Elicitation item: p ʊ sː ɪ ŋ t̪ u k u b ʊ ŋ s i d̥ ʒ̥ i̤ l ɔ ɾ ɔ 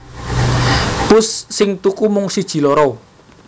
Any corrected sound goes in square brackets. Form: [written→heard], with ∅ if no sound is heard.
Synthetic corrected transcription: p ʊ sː ɪ ŋ t̪ u k u [b→m] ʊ ŋ s i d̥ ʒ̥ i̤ l ɔ ɾ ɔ